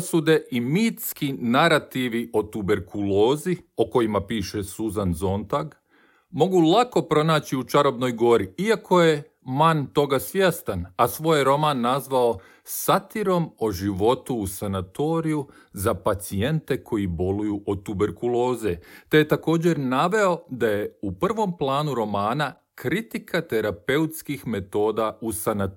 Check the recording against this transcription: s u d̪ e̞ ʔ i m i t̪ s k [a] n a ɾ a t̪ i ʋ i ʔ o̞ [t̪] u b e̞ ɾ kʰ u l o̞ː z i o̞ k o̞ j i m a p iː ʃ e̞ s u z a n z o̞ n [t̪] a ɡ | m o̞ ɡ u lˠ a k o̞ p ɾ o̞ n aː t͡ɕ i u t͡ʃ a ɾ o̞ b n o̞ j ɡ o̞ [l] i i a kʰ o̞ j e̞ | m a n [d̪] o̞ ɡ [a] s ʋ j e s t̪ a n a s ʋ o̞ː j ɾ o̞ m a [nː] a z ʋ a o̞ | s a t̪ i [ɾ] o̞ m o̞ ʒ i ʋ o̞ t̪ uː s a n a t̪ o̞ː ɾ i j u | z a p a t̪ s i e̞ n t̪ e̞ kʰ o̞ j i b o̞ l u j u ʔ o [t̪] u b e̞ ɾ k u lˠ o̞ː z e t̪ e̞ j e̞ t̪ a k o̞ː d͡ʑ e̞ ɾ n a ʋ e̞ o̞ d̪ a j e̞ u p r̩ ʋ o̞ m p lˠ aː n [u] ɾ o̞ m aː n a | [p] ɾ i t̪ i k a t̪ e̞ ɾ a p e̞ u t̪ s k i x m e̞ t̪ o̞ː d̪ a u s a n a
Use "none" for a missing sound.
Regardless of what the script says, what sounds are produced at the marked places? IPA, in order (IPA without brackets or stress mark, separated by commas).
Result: i, t̪, t̪, ɾ, t̪, a, nː, ɾ, t̪, u, k